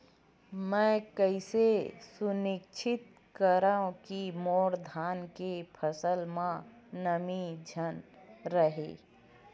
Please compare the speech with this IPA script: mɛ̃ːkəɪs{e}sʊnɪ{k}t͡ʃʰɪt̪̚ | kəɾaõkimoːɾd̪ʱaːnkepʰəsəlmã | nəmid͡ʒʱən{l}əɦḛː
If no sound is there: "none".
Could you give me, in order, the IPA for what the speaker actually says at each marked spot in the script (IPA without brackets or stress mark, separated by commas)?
e, k, ɾ